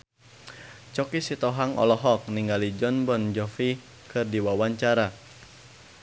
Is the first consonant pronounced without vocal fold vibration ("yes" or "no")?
yes